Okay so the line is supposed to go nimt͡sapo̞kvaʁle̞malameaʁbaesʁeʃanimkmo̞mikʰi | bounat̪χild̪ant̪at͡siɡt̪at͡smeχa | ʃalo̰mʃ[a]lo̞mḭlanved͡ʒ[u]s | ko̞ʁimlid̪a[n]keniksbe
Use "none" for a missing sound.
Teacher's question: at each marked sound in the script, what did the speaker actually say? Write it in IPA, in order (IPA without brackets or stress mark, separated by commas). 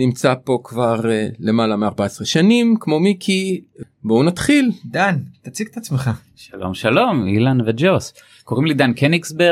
a, o, n